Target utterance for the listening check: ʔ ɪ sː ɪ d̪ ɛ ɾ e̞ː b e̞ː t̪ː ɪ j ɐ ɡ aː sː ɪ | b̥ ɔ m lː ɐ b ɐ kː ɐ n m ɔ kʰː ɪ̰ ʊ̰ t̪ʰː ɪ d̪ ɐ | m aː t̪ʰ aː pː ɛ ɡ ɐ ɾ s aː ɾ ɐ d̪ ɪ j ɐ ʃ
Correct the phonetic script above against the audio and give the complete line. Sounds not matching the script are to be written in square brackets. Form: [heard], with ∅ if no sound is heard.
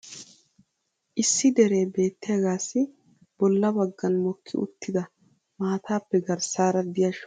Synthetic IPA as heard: ʔ ɪ sː ɪ d̪ ɛ ɾ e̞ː b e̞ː t̪ː ɪ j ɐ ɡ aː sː ɪ | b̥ ɔ [∅] lː ɐ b ɐ [ɡː] ɐ n m ɔ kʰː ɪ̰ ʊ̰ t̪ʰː ɪ d̪ ɐ | m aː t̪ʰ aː pː ɛ ɡ ɐ ɾ s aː ɾ ɐ d̪ ɪ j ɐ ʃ